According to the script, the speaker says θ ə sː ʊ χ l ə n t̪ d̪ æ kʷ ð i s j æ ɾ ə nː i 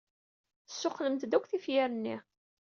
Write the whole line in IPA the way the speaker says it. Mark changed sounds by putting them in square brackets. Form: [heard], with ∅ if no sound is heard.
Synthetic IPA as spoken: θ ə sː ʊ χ l ə [m] t̪ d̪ æ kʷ [θ] i [f] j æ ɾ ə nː i